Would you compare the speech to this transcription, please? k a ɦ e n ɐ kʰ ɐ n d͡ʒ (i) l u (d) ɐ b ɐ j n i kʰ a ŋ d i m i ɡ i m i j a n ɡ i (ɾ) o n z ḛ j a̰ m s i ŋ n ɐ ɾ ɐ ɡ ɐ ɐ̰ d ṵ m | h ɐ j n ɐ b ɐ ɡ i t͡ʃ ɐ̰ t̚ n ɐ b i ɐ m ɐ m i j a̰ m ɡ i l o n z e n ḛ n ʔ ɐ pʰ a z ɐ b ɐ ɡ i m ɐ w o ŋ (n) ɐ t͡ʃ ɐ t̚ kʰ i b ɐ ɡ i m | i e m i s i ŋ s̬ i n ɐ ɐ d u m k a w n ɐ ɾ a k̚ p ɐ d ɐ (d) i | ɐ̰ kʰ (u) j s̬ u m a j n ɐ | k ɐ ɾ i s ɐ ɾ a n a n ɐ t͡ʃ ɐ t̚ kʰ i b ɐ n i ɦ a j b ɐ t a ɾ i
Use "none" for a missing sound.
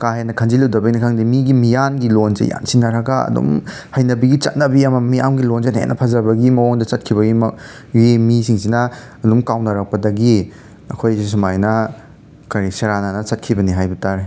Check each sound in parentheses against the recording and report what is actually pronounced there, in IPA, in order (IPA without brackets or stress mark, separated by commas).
i, d, l, d, ɡ, o